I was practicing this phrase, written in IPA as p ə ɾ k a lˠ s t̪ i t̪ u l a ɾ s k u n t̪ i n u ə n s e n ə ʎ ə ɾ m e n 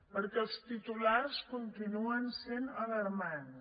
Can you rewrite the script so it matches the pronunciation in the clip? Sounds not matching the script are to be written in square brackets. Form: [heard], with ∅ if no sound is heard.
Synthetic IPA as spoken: p ə ɾ k [ɛ] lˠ s t̪ i t̪ u l a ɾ s k u n t̪ i n u ə n s e n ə [l] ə ɾ m [a] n